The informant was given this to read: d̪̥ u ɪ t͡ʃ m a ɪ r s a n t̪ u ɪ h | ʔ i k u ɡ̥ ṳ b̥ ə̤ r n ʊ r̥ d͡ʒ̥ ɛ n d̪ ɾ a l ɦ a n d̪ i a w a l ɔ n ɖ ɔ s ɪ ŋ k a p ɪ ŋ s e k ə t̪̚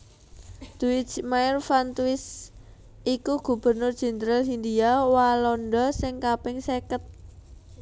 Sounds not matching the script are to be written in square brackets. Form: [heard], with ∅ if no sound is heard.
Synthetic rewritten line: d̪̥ u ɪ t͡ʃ m a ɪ r [f] a n t̪ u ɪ [s] | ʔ i k u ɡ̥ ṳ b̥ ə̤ r n ʊ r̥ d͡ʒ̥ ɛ n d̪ ɾ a l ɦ [i] n d̪ i a w a l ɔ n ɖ ɔ s ɪ ŋ k a p ɪ ŋ s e k ə t̪̚